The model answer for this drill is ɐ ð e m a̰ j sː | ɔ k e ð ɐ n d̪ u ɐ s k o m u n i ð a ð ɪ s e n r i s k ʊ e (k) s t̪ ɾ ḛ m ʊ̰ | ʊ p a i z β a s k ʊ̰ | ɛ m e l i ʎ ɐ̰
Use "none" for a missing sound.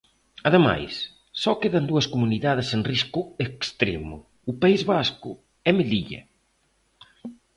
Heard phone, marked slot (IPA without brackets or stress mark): k